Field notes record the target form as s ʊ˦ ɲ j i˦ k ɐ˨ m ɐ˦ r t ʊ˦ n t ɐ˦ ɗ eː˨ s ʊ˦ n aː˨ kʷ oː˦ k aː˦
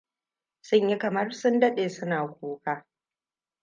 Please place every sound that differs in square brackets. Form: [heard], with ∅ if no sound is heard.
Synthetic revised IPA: s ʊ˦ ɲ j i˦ k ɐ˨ m ɐ˦ r [s] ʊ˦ n [d] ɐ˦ ɗ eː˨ s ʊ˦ n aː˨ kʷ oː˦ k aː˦